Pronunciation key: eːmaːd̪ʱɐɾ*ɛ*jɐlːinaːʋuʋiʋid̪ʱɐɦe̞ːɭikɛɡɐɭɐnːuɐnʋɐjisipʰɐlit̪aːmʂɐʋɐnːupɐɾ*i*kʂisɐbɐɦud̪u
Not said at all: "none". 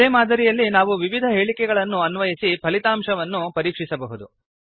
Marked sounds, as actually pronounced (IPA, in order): i, iː

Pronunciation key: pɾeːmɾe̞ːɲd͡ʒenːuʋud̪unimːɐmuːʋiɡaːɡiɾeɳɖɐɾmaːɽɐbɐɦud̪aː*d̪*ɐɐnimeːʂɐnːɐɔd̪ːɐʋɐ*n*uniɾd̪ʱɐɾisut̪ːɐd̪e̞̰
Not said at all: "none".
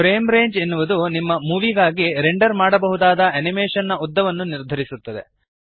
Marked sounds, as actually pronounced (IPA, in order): d̪, nː

